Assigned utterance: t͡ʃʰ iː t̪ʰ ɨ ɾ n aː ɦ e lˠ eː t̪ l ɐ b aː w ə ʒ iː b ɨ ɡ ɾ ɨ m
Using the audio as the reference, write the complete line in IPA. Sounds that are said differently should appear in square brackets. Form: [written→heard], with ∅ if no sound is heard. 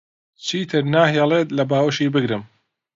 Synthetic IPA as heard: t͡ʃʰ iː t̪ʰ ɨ ɾ n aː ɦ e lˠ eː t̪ l ɐ b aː w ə [ʒ→ʃ] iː b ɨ ɡ ɾ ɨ m